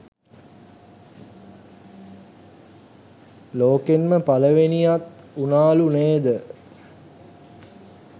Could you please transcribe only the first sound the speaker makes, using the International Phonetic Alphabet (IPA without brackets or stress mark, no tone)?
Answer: l